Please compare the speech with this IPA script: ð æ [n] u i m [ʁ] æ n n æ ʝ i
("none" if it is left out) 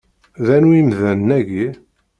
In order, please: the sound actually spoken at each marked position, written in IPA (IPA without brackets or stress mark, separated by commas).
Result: n, ð